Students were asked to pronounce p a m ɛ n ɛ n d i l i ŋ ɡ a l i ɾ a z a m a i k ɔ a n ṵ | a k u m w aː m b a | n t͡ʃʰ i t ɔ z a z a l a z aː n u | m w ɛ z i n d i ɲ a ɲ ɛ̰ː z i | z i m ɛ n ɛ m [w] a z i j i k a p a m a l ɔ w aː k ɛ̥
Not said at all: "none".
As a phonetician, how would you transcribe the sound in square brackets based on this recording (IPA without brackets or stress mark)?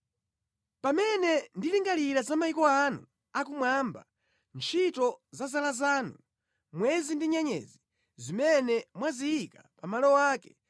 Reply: w